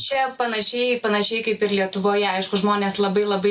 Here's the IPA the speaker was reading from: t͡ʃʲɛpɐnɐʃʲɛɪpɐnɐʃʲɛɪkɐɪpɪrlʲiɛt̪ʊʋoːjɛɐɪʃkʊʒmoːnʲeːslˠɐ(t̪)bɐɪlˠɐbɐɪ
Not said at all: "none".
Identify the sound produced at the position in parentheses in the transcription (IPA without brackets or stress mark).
none